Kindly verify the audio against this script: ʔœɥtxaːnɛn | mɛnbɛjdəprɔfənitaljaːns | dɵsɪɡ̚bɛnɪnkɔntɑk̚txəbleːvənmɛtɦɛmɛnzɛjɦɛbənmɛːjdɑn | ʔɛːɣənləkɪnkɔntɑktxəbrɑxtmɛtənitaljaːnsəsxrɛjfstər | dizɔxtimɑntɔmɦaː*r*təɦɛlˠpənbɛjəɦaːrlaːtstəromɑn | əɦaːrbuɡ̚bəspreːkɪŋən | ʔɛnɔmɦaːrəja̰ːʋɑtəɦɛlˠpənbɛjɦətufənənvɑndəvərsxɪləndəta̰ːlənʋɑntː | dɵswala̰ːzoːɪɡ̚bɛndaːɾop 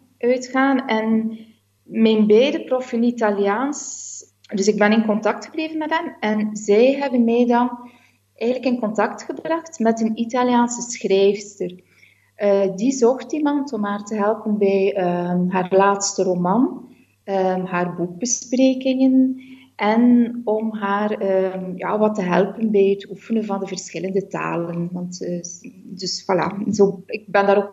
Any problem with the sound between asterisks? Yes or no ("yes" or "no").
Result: no